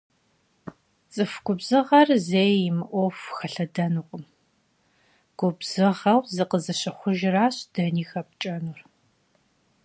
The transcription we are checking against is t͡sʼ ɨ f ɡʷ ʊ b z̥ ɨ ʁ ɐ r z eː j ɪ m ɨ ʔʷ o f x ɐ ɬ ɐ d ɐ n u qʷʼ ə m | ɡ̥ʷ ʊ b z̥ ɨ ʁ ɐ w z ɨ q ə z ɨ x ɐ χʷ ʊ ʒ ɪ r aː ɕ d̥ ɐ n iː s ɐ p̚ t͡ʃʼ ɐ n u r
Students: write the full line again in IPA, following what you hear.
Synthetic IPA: t͡sʼ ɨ f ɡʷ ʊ b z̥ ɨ ʁ ɐ r z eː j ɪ m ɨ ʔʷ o f x ɐ ɬ ɐ d ɐ n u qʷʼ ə m | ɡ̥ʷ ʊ b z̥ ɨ ʁ ɐ w z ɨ q ə z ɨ ɕ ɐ χʷ ʊ ʒ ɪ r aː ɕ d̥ ɐ n iː x ɐ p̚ t͡ʃʼ ɐ n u r